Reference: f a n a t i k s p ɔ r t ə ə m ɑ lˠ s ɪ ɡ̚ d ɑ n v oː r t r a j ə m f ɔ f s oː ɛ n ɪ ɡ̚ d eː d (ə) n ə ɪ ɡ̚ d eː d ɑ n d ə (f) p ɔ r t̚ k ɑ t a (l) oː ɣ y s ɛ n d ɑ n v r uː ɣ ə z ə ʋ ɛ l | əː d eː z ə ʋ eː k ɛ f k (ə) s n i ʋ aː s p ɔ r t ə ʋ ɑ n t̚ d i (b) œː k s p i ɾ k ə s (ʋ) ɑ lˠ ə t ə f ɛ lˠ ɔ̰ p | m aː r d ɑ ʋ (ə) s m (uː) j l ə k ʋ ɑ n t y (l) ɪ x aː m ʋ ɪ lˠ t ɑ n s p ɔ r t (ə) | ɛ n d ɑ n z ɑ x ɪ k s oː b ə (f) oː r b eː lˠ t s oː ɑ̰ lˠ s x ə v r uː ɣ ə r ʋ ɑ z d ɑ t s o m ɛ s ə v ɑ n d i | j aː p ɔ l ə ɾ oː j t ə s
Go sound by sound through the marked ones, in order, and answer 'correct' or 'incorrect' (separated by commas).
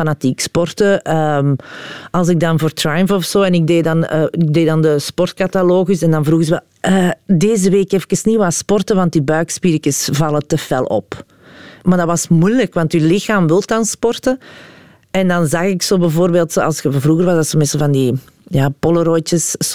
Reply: incorrect, incorrect, correct, correct, correct, incorrect, incorrect, incorrect, correct, correct, incorrect